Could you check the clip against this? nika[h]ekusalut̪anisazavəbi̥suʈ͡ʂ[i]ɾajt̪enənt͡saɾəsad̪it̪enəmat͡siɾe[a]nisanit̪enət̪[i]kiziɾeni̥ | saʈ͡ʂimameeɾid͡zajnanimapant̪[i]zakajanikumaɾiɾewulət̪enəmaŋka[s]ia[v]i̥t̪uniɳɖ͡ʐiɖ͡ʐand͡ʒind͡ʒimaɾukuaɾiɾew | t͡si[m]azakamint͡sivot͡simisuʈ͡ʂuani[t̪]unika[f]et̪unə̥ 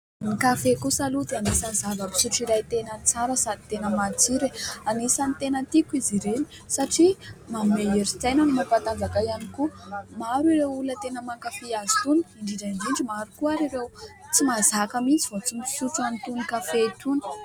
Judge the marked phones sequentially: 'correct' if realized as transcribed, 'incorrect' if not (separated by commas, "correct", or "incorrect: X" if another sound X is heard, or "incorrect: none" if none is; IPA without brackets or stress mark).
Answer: incorrect: f, correct, correct, correct, incorrect: a, incorrect: f, incorrect: z, correct, correct, correct